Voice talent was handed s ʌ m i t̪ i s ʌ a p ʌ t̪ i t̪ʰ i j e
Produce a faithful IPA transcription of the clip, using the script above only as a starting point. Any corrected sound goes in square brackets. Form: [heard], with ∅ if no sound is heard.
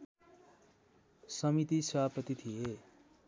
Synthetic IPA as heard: s ʌ m i t̪ i s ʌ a p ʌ t̪ i t̪ʰ i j e